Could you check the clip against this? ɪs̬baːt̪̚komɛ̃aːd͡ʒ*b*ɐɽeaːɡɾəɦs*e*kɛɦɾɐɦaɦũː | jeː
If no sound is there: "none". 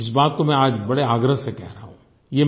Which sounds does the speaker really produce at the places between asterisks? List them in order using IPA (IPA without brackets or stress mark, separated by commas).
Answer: b, e